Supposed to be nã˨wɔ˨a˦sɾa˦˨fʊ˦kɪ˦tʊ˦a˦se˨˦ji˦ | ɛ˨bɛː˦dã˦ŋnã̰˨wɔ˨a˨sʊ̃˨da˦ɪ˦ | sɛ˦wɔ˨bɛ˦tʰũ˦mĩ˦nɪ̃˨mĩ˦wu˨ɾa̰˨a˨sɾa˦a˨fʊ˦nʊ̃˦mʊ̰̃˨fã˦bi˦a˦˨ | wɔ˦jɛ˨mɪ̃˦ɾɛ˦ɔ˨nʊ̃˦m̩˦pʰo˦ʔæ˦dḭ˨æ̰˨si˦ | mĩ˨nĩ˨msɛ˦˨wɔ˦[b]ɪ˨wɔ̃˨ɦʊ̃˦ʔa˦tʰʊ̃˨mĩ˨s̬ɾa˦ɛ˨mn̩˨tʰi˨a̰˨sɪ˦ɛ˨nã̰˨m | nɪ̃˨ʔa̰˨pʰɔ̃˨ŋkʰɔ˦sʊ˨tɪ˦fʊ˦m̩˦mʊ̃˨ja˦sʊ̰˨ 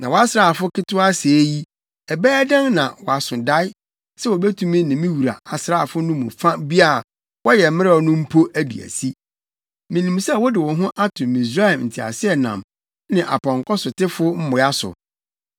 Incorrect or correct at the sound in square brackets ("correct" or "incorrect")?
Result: incorrect